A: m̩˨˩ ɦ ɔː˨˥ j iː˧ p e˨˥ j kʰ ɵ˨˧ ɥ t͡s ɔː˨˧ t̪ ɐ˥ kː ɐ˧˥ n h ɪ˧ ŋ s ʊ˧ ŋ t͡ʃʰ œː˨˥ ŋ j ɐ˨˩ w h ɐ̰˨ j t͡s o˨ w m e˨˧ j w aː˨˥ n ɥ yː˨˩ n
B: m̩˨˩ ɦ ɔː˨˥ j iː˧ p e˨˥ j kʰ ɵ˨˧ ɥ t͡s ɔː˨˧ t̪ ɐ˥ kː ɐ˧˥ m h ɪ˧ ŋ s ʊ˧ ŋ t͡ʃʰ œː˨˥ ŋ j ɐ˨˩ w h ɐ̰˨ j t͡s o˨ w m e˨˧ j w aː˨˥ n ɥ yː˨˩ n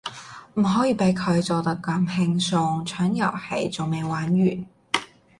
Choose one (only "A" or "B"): B